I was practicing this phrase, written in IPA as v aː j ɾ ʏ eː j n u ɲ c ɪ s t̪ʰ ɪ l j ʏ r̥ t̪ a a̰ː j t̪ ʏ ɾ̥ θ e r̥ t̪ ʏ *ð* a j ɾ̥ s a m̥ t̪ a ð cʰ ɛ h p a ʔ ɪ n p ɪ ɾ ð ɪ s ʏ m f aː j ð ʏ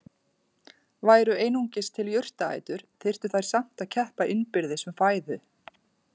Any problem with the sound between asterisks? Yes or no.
yes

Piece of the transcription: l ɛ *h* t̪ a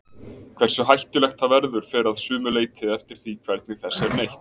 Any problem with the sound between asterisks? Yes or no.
yes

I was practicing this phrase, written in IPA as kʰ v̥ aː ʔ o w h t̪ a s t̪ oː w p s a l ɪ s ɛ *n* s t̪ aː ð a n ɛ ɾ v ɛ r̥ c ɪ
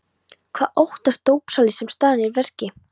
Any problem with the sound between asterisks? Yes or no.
yes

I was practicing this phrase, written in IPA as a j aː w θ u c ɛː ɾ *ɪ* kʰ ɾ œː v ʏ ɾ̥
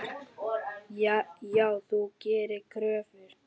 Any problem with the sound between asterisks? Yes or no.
no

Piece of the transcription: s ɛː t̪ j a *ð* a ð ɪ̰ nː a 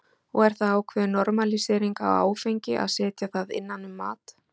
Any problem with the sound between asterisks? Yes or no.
yes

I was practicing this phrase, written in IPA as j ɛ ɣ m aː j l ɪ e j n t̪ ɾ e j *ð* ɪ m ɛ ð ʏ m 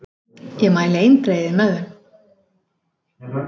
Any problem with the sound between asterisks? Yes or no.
no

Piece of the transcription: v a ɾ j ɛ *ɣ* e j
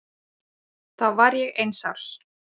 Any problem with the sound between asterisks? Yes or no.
no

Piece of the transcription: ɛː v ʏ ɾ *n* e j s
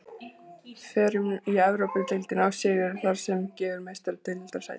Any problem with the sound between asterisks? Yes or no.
yes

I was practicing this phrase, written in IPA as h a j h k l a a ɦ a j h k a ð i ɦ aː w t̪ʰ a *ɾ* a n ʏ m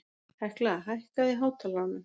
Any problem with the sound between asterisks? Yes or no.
yes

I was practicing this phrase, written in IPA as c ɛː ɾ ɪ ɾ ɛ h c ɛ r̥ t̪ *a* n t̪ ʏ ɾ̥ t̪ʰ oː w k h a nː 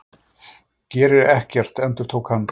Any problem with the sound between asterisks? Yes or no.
yes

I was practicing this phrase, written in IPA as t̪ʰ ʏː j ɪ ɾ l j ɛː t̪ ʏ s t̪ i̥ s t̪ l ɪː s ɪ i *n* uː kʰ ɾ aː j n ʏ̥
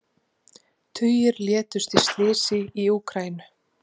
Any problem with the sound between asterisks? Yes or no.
yes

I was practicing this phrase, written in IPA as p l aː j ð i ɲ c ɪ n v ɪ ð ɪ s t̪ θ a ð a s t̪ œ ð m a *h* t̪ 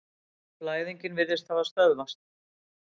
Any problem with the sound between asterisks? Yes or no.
yes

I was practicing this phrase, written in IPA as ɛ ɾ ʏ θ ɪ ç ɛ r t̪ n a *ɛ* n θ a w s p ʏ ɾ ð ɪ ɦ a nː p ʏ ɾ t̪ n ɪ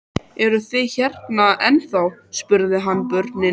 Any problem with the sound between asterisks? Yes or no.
no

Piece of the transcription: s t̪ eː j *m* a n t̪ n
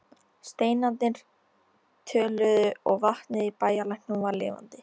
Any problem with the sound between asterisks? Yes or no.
yes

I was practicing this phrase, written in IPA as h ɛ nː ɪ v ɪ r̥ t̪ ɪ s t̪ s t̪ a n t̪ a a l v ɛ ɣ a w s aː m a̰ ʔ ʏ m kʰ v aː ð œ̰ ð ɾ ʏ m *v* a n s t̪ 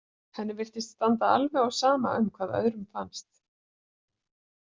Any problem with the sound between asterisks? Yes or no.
yes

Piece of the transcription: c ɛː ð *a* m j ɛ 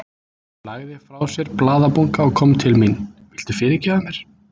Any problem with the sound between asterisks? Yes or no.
no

